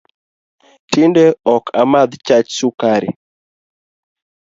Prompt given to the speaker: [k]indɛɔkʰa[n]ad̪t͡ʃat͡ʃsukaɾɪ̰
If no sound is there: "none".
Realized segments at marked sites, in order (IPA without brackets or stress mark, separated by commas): t, m